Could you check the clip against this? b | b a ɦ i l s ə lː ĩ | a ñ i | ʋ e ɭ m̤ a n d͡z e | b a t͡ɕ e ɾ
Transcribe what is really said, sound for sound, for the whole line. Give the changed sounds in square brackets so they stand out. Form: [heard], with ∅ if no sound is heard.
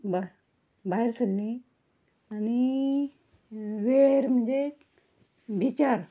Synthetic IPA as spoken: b | b a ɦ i [ɾ] s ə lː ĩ | a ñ i | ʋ e [ɾ] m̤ [ə] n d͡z e | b [i] t͡ɕ [a] ɾ